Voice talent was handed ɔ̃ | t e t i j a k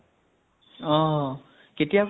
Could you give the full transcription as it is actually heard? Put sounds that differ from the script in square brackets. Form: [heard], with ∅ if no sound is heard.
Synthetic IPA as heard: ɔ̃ | [k] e t i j a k